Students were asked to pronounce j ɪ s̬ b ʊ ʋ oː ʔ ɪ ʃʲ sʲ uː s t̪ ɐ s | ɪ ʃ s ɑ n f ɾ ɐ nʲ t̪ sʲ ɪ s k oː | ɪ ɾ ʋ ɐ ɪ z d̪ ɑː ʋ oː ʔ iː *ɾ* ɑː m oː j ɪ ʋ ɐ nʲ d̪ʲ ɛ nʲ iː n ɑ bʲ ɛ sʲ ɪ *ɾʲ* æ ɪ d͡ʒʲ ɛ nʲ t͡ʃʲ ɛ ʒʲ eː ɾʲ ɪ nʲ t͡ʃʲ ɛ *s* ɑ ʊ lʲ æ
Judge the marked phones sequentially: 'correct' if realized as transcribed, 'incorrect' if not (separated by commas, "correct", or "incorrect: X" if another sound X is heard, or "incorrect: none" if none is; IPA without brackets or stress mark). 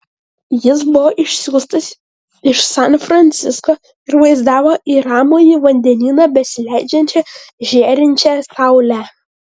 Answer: correct, incorrect: lʲ, correct